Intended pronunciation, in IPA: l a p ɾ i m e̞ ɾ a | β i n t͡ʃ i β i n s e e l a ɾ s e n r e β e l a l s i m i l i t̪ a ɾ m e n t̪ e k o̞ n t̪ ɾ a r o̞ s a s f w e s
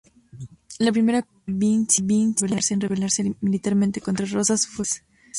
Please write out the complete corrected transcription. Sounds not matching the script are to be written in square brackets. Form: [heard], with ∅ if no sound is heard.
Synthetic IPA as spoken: l a p ɾ i m e̞ ɾ a | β i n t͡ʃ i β i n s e e l a ɾ s e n r e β e l a [ɾ] s [e] m i l i t̪ a ɾ m e n t̪ e k o̞ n t̪ ɾ a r o̞ s a s f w e s

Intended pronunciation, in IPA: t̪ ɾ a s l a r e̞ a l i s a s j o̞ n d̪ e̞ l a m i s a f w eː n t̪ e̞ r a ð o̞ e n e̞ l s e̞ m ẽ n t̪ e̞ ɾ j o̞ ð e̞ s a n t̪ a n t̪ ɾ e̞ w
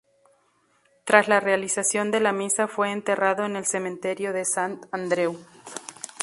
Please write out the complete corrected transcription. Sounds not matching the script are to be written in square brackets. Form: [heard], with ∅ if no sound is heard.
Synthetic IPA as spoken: t̪ ɾ a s l a r e̞ a l i s a s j o̞ n d̪ e̞ l a m i s a f w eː n t̪ e̞ r a ð o̞ e n e̞ l s e̞ m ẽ n t̪ e̞ ɾ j o̞ ð e̞ s a n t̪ a n [d̪] ɾ e̞ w

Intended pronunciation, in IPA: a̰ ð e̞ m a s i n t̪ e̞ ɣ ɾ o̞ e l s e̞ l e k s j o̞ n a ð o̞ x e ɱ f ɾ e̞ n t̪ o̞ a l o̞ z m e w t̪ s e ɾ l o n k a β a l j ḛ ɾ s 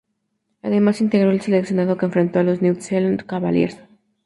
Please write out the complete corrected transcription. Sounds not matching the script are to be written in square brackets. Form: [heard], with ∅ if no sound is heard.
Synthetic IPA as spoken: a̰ ð e̞ m a s i n t̪ e̞ ɣ ɾ o̞ e l s e̞ l e k s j o̞ n a ð o̞ [k] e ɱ f ɾ e̞ n t̪ o̞ a l o̞ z [n] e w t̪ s e [∅] l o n k a β a l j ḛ ɾ s

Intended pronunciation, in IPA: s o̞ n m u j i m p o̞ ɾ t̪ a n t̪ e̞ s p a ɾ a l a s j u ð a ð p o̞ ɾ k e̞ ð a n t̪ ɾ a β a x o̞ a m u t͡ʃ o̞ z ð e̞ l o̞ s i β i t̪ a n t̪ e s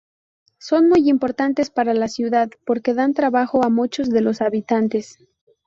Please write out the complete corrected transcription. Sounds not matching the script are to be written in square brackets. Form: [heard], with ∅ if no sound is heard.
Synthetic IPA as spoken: s o̞ n m u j i m p o̞ ɾ t̪ a n t̪ e̞ s p a ɾ a l a s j u ð a ð p o̞ ɾ k e̞ ð a n t̪ ɾ a β a x o̞ a m u t͡ʃ o̞ z ð e̞ l o̞ s [a] β i t̪ a n t̪ e s

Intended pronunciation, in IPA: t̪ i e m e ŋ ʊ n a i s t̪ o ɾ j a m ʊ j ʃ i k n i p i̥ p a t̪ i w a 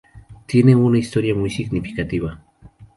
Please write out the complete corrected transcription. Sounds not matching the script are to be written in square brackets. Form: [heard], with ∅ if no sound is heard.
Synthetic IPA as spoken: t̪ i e [n] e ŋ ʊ n a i s t̪ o ɾ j a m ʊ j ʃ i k n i p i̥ [k] a t̪ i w a

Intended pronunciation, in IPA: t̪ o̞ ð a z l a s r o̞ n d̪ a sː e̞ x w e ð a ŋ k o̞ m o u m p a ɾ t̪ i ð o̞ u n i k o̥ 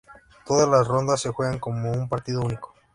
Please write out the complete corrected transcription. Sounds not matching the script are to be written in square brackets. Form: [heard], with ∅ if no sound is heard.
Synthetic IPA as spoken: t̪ o̞ ð a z l a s r o̞ n d̪ a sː e̞ x w e [ɣ] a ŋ k o̞ m o u m p a ɾ t̪ i ð o̞ u n i k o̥

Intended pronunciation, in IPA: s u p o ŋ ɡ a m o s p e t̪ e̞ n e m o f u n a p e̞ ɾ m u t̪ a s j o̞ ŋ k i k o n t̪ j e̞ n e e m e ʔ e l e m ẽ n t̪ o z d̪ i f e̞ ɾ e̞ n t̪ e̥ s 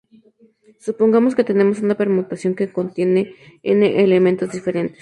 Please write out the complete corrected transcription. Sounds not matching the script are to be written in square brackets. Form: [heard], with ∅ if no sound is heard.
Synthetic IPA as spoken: s u p o ŋ ɡ a m o s [k] e t̪ e̞ n e m o [s] u n a p e̞ ɾ m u t̪ a s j o̞ ŋ k [e] k o n t̪ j e̞ n e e [n] e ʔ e l e m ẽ n t̪ o z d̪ i f e̞ ɾ e̞ n t̪ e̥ s

